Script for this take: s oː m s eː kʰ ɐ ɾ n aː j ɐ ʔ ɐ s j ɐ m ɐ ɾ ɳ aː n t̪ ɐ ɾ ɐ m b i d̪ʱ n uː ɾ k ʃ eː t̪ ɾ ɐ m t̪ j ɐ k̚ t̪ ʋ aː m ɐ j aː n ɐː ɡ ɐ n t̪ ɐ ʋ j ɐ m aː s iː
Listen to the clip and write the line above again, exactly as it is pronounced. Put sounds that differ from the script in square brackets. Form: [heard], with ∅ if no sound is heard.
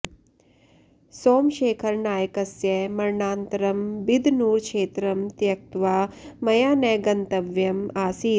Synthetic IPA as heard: s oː m [ʃ] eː kʰ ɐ ɾ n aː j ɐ [k] ɐ s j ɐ m ɐ ɾ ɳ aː n t̪ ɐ ɾ ɐ m b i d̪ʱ n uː ɾ k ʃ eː t̪ ɾ ɐ m t̪ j ɐ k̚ t̪ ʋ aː m ɐ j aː n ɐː ɡ ɐ n t̪ ɐ ʋ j ɐ m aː s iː